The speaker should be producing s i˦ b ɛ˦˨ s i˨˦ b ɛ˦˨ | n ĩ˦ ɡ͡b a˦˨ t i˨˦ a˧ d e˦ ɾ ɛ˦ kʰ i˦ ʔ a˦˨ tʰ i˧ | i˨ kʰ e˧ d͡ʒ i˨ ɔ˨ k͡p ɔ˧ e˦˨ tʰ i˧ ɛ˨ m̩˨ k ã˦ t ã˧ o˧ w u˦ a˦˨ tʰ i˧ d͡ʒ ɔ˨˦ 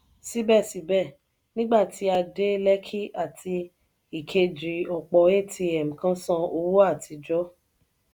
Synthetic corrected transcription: s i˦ b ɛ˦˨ s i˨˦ b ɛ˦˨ | n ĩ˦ ɡ͡b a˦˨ t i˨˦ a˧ d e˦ l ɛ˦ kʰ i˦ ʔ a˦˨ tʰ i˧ | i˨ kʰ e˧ d͡ʒ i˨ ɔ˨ k͡p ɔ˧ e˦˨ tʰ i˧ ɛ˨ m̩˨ k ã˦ s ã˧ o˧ w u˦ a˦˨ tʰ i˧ d͡ʒ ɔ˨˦